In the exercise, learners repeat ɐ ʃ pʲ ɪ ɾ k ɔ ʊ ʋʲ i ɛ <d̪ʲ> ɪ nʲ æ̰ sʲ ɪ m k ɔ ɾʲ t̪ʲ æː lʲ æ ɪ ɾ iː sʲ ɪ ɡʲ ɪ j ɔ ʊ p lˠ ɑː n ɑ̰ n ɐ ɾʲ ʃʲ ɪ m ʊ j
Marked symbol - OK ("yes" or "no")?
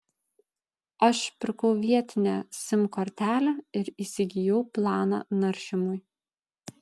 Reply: no